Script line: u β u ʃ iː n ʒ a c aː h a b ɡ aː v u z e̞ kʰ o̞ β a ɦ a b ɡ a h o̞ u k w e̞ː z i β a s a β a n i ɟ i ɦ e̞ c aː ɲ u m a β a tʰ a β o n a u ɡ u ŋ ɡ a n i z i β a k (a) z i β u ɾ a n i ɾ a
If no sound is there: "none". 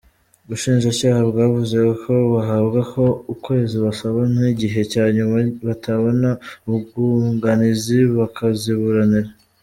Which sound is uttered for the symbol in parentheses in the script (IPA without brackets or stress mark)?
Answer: a